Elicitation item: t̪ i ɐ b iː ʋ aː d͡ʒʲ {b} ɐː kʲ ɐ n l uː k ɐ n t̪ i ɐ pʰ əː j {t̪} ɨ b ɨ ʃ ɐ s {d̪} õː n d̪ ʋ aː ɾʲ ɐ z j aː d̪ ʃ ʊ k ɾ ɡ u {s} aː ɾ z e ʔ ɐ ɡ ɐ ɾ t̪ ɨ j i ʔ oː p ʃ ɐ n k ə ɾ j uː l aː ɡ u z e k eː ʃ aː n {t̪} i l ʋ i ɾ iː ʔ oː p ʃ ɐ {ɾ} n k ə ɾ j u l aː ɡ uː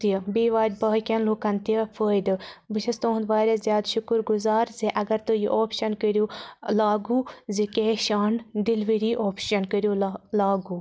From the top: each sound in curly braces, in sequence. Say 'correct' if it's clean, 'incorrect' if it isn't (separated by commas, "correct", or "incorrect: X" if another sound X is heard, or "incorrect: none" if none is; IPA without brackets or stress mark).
correct, incorrect: d̪, incorrect: t̪, incorrect: z, incorrect: d̪, incorrect: none